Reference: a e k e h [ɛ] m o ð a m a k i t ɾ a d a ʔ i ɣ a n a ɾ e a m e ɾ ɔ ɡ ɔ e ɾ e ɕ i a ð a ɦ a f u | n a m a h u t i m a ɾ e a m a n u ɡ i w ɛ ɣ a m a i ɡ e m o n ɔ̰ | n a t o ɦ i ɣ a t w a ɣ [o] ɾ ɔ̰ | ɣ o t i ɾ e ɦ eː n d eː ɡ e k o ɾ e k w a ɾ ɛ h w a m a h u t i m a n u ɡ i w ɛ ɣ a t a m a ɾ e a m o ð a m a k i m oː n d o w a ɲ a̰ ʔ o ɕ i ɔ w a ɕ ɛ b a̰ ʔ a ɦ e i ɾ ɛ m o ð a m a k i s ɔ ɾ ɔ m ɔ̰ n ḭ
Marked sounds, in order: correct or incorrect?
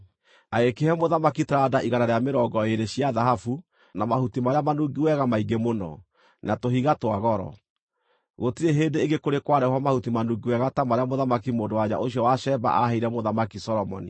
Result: correct, incorrect: ɔ

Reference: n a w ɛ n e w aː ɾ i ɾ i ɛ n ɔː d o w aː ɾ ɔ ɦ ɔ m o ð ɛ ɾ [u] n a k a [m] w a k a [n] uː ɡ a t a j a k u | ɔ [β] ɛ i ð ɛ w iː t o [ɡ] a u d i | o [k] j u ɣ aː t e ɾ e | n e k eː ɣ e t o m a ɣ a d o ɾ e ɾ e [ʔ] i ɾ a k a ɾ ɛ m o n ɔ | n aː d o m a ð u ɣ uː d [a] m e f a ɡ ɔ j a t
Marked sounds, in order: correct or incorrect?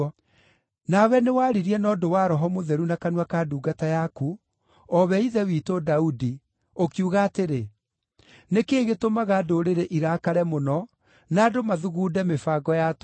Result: correct, incorrect: n, incorrect: d, correct, incorrect: d, correct, correct, incorrect: ɛ

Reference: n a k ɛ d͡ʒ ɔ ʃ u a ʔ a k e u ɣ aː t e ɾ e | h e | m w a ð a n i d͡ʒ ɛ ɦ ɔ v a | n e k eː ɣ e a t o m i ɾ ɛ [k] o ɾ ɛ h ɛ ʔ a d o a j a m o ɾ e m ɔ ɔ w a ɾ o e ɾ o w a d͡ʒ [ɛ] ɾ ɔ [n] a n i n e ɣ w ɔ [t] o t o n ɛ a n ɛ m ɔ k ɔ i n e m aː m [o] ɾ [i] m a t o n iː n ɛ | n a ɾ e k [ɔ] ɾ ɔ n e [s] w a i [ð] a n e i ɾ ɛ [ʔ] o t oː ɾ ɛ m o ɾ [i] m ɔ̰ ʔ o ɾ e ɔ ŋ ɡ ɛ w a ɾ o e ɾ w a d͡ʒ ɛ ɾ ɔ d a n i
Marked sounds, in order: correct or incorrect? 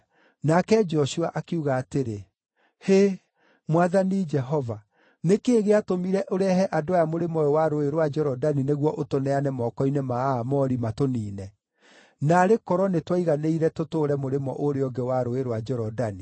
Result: incorrect: ʔ, correct, incorrect: d, incorrect: ʔ, incorrect: ɔ, correct, correct, incorrect: t, incorrect: ɣ, incorrect: t, incorrect: e

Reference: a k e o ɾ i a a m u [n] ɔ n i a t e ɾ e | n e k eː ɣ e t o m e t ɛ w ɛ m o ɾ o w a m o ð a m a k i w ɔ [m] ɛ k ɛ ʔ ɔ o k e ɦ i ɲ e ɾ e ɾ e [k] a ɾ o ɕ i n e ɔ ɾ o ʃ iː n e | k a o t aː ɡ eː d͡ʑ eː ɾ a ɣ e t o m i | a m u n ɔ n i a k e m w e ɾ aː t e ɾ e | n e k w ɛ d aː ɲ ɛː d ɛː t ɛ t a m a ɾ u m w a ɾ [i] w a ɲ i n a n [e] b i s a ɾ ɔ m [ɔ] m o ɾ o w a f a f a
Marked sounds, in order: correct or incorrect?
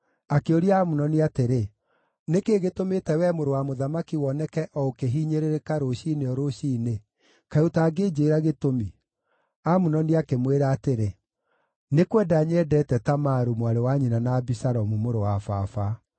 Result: correct, incorrect: n, correct, incorrect: e, incorrect: a, incorrect: u

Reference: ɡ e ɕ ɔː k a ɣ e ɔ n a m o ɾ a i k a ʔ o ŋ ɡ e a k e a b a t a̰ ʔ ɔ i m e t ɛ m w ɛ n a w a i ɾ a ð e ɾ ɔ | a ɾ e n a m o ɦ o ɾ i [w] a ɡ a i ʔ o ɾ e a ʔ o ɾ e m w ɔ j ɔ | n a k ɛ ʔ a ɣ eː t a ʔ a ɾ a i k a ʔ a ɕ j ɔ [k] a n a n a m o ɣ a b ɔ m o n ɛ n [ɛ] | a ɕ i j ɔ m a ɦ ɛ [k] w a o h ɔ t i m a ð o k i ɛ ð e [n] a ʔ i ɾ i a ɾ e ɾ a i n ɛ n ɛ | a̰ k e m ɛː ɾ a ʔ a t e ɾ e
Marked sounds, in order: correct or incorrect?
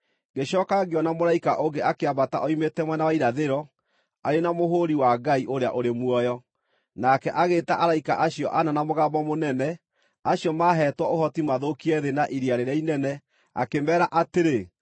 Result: correct, incorrect: ʔ, correct, incorrect: t, correct

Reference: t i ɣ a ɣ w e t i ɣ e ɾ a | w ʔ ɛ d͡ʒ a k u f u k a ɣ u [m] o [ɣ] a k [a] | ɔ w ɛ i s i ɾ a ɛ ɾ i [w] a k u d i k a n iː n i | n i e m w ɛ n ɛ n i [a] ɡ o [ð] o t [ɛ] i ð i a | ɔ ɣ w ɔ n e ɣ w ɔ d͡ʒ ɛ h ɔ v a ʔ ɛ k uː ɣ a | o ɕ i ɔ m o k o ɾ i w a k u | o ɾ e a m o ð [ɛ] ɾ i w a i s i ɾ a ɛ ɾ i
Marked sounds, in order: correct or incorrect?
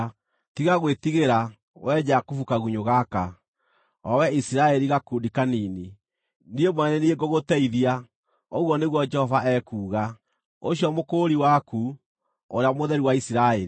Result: incorrect: ɲ, correct, correct, incorrect: ɣ, incorrect: e, incorrect: ɣ, correct, correct

